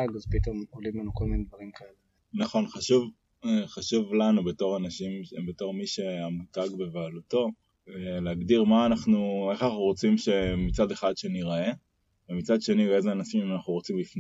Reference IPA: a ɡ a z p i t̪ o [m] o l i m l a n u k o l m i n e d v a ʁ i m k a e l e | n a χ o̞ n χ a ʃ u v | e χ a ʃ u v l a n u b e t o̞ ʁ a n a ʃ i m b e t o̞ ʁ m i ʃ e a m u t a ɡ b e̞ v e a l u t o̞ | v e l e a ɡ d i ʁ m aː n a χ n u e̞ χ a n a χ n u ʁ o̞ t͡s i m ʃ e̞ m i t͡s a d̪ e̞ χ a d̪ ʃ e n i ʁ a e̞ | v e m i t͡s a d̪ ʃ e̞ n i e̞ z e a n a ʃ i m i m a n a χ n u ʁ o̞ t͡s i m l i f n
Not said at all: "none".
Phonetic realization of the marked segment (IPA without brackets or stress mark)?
m